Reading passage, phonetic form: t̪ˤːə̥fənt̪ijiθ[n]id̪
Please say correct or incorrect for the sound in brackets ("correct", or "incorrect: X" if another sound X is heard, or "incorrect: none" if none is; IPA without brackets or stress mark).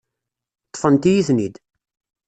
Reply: correct